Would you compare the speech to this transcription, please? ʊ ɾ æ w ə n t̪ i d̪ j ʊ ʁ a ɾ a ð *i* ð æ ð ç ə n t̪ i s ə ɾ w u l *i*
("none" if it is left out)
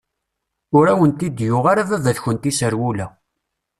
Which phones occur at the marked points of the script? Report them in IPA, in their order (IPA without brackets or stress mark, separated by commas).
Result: æ, æ